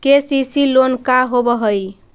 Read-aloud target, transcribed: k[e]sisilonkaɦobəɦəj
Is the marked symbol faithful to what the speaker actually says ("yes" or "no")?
yes